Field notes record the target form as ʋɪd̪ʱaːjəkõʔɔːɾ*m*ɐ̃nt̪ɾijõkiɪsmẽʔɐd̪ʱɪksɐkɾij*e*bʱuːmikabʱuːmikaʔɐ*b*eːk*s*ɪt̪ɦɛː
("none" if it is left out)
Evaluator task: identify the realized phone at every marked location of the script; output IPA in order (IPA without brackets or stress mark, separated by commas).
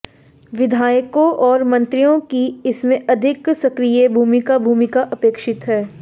m, e, p, ʃ